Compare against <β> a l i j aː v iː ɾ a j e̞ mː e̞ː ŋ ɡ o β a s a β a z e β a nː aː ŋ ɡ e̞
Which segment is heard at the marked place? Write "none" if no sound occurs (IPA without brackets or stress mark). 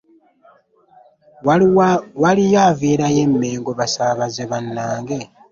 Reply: w